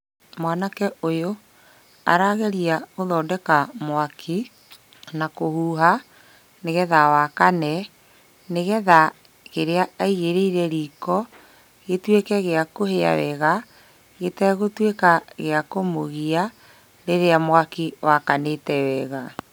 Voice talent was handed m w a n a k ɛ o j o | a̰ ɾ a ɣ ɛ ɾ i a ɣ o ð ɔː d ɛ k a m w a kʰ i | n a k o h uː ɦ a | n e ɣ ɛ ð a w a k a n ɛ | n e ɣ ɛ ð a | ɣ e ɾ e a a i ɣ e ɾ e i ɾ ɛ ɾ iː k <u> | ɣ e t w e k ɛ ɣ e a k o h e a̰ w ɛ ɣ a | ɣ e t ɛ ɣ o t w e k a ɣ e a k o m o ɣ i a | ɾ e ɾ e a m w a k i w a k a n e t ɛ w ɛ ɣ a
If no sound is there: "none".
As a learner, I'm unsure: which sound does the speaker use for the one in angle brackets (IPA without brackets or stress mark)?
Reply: ɔ